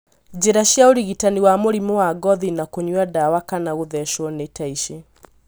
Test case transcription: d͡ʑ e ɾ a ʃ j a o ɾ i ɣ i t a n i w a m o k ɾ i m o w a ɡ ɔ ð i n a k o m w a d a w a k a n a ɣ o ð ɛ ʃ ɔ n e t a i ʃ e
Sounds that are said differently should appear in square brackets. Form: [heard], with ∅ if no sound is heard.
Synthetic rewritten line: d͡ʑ e ɾ a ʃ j a o ɾ i ɣ i t a n i w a m o [∅] ɾ i m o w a ɡ ɔ ð i n a k o [ɲ] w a d a w a k a n a ɣ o ð ɛ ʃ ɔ n e t a i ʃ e